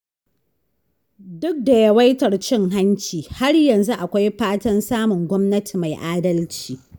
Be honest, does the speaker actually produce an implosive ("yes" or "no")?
no